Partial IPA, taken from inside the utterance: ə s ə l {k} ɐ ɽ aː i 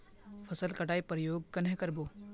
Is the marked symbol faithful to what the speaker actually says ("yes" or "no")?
yes